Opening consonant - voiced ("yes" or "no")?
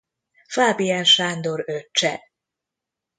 no